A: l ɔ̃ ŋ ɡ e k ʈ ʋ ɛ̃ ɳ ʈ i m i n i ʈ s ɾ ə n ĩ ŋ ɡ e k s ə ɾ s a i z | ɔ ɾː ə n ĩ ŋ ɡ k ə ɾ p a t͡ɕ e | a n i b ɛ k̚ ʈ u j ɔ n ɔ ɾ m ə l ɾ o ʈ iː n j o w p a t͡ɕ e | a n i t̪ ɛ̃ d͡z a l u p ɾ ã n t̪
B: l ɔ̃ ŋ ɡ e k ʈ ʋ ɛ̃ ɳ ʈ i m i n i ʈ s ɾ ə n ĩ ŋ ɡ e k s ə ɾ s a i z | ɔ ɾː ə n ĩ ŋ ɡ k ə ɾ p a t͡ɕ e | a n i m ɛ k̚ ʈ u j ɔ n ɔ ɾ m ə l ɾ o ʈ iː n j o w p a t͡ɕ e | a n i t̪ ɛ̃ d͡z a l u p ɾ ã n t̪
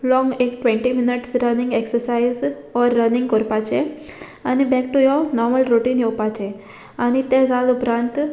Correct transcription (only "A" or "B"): A